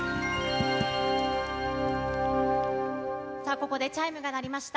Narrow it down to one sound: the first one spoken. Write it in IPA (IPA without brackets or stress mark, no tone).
s